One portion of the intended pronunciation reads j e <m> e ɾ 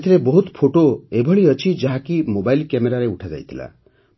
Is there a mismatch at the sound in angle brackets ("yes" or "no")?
no